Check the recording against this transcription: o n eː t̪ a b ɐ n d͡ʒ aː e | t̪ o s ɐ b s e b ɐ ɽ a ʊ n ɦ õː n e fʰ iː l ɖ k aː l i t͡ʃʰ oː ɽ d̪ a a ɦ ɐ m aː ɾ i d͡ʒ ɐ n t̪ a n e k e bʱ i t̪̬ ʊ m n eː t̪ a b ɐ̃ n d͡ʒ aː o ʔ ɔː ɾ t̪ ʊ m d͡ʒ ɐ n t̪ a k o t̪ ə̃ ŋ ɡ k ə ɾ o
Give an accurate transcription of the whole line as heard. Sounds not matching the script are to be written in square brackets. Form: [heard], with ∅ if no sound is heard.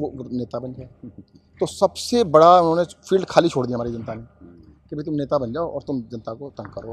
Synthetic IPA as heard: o n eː t̪ a b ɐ n d͡ʒ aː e | t̪ o s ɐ b s e b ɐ ɽ a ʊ n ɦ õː n e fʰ iː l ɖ [kʰ] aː l i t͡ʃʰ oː ɽ d̪ [i] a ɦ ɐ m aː ɾ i d͡ʒ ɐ n t̪ a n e k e bʱ i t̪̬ ʊ m n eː t̪ a b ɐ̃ n d͡ʒ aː o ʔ ɔː ɾ t̪ ʊ m d͡ʒ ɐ n t̪ a k o t̪ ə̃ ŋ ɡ k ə ɾ o